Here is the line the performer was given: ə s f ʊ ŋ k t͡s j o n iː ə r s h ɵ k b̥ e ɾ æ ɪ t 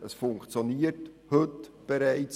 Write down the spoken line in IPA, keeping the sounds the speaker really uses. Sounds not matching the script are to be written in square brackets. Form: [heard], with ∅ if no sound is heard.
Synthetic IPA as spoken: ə s f ʊ ŋ k t͡s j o n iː ə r [t] h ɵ [t] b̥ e ɾ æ ɪ [t͡s]

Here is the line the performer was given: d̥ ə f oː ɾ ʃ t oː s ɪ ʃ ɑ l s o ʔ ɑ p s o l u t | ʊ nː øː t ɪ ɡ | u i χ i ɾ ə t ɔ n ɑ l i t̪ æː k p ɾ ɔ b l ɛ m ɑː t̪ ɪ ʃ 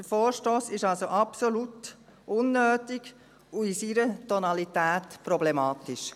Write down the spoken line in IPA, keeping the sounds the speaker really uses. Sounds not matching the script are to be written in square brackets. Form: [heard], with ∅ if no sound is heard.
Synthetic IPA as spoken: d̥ ə f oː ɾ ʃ t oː s ɪ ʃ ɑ l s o ʔ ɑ p s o l u t | ʊ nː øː t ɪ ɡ | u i [s] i ɾ ə t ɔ n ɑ l i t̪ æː [t] p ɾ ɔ b l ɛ m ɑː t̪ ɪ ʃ

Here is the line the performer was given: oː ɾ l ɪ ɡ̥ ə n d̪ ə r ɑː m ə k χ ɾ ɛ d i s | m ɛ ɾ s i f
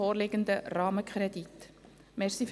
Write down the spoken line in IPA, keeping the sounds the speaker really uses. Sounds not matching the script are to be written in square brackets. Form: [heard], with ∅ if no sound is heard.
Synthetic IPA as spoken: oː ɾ l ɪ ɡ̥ ə n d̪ ə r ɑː m ə k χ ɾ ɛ d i [t] | m ɛ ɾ s i f

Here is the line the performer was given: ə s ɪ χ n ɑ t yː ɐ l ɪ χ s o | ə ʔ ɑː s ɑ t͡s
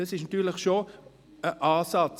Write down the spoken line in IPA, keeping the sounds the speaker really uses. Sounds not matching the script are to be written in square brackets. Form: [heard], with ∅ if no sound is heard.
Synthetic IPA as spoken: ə s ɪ [ʃ] n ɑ t yː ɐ l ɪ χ [ʃ] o | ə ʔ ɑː s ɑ t͡s

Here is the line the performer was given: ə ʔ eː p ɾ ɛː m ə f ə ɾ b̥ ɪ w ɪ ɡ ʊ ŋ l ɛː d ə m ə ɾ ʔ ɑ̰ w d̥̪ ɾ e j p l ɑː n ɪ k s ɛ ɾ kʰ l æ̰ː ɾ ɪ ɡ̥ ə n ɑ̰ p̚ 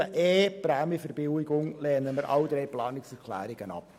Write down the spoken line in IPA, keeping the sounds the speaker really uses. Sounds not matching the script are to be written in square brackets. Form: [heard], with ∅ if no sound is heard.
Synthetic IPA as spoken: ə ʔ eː p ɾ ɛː m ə f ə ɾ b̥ ɪ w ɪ ɡ ʊ ŋ l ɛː [n] ə m ə ɾ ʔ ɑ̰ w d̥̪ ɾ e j p l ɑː n ɪ k s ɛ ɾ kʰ l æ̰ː ɾ ɪ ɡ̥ ə n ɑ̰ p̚

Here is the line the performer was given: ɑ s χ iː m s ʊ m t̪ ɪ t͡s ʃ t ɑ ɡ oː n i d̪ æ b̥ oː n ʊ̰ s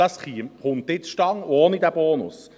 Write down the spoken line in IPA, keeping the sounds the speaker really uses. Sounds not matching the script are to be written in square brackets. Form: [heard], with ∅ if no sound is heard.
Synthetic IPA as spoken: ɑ s χ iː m [χ] ʊ [n] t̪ ɪ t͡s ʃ t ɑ [ŋ] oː n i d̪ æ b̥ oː n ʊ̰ s

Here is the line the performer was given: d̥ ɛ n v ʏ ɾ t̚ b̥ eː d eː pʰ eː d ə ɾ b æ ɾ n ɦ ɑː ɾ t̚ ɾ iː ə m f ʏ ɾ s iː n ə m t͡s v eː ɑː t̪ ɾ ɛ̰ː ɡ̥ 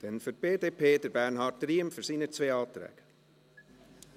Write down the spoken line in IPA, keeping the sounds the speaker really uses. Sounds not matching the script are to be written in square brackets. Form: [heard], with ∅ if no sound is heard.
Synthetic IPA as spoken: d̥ ɛ n [f] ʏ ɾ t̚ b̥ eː d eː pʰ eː d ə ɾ b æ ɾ n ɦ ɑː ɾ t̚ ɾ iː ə m f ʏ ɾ s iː n ə [∅] t͡s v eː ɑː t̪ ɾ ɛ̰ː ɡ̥

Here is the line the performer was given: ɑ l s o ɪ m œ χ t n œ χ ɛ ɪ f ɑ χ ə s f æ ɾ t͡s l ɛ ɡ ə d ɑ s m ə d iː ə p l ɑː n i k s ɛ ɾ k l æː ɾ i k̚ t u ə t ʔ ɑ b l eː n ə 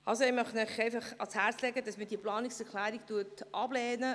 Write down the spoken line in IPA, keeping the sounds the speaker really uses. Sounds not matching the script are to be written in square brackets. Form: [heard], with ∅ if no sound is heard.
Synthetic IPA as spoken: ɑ l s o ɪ m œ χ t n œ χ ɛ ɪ f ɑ χ [ɑ] s [h] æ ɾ t͡s l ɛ ɡ ə d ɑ s m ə d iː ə p l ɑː n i k s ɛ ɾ k l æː ɾ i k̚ t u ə t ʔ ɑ b l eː n ə

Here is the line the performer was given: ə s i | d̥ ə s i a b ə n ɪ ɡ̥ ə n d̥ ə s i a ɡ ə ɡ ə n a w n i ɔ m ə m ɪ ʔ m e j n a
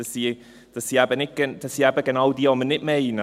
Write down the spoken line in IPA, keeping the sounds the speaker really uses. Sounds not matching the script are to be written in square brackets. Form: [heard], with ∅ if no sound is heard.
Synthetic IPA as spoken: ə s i | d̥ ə s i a b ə n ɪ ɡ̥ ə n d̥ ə s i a [b] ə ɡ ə n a w [d] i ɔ m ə [n] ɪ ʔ m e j n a

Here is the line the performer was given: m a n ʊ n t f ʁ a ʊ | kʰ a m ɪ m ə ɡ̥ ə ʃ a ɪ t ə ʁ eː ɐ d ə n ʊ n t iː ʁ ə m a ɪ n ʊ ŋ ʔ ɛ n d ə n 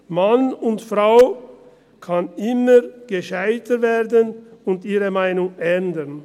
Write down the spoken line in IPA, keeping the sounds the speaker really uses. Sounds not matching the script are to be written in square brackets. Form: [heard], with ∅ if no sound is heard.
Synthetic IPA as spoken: m a n ʊ n t f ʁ a ʊ | kʰ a [n] ɪ m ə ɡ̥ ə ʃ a ɪ t ə [v] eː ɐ d ə n ʊ n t iː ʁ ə m a ɪ n ʊ ŋ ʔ ɛ n d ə n

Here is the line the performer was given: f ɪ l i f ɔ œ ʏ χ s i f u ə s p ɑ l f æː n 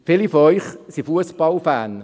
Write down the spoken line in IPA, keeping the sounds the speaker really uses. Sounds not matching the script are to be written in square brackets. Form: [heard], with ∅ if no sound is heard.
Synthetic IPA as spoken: f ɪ l i f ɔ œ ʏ χ s i f u ə s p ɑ l f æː n

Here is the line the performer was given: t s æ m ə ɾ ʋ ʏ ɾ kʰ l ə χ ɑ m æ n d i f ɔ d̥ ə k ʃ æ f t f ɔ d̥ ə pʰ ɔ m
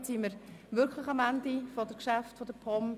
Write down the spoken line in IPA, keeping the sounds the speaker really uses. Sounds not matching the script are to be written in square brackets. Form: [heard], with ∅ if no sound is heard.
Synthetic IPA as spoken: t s [i] m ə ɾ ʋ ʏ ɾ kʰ l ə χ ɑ m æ n d i f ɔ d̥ ə k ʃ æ f t f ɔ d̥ ə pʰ ɔ m

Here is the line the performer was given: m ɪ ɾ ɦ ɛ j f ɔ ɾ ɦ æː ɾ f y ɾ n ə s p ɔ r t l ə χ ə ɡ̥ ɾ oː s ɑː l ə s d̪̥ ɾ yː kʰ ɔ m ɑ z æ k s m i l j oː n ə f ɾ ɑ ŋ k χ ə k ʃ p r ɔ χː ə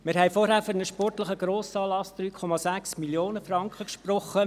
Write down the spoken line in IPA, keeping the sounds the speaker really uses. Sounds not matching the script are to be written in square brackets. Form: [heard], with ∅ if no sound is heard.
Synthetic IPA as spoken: m ɪ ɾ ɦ ɛ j f ɔ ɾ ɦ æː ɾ f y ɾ n ə [ʃ] p ɔ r t l ə χ ə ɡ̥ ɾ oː s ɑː l [ɑ] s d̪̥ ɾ yː kʰ ɔ m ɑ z æ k s m i l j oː n ə f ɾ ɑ ŋ k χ ə k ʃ p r ɔ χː ə

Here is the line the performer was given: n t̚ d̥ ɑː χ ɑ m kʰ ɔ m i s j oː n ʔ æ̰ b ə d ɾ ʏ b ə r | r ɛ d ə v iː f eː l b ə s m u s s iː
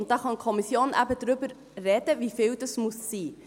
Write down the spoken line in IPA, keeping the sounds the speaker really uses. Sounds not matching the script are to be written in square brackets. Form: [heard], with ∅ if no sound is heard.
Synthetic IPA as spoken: n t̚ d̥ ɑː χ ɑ [n] kʰ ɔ m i s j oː n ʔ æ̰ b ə d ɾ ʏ b ə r | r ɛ d ə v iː f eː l [d] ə s m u s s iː

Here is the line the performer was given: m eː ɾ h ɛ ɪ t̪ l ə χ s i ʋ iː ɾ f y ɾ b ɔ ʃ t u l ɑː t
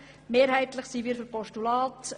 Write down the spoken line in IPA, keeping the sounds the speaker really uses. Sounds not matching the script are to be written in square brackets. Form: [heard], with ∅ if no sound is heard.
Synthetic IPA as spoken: m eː ɾ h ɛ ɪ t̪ l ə χ s i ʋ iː ɾ f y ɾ [p] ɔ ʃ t u l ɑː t

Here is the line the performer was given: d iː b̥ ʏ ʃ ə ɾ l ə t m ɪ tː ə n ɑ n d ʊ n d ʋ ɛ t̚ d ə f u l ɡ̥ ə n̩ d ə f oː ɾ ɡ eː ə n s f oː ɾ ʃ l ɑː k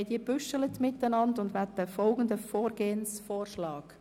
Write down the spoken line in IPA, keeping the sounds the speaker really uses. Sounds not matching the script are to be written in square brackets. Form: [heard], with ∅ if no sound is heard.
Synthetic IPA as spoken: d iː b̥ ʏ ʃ ə [∅] l ə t m ɪ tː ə n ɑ n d ʊ n d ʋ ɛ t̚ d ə f [ɔ] l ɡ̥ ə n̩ d ə f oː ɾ ɡ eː ə n s f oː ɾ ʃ l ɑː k

